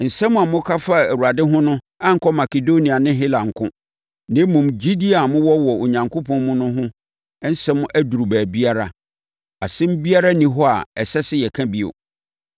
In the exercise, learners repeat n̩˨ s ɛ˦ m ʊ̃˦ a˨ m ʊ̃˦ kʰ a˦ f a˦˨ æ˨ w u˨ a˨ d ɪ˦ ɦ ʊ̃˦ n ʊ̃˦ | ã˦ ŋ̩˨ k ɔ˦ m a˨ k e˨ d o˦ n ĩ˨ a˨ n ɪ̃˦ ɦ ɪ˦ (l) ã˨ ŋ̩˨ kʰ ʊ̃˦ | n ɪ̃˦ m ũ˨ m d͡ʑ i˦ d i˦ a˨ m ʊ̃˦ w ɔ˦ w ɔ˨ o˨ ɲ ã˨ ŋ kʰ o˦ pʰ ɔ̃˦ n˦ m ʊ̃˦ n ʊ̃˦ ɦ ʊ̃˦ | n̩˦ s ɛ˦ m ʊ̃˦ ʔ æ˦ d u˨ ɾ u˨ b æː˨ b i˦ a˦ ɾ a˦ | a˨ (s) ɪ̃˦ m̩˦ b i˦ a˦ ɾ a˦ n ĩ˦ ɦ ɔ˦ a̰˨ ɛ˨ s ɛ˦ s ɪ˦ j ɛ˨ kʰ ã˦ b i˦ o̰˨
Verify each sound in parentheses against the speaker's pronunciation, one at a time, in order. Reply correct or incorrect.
correct, correct

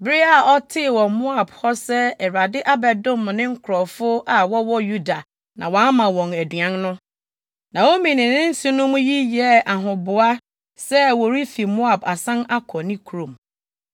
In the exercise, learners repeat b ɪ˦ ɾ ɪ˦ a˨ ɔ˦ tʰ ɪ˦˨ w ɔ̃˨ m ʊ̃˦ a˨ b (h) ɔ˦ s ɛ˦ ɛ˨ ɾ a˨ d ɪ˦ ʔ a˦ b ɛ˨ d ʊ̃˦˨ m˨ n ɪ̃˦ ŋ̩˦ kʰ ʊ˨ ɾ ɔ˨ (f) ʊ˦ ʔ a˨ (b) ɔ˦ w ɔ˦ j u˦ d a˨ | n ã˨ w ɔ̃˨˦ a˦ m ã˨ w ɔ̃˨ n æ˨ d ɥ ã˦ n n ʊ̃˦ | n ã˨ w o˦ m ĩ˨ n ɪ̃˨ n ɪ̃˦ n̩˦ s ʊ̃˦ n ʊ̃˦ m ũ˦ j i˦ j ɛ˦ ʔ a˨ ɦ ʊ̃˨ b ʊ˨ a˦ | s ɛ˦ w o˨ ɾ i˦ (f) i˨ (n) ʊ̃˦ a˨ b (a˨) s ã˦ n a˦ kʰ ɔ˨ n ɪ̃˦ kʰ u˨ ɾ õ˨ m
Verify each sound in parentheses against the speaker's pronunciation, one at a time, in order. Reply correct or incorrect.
correct, correct, incorrect: w, correct, incorrect: m, correct

